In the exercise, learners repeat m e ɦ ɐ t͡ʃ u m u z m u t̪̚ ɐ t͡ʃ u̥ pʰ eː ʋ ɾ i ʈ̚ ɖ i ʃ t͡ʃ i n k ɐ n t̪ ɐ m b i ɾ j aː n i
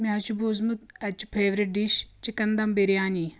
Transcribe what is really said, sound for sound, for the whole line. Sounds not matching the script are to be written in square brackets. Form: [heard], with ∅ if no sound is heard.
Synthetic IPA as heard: m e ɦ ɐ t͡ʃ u [b] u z m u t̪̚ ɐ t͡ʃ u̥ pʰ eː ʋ ɾ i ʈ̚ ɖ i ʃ t͡ʃ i [∅] k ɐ n [d̪] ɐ m b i ɾ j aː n i